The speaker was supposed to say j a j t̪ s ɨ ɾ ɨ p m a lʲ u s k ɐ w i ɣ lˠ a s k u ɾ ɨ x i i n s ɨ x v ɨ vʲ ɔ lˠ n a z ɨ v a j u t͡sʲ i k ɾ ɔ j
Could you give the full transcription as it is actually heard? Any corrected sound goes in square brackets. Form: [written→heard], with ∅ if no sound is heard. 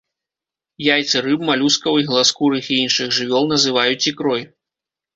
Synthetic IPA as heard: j a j t̪ s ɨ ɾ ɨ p m a lʲ u s k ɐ w i ɣ lˠ a s k u ɾ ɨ x i i n [s→ʂ] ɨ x [v→ʐ] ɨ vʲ ɔ lˠ n [a→ɐ] z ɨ v a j u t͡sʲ i k ɾ ɔ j